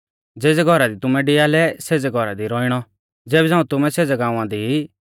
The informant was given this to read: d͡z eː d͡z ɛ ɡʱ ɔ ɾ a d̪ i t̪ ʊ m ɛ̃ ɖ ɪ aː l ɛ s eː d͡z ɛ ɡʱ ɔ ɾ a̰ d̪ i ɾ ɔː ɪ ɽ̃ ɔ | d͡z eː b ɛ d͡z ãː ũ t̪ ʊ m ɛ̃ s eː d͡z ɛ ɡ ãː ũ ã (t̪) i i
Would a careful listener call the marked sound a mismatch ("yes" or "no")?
yes